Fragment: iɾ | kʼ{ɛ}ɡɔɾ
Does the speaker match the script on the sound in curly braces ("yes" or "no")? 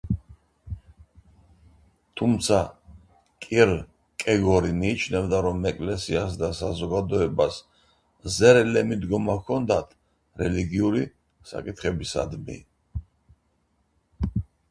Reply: yes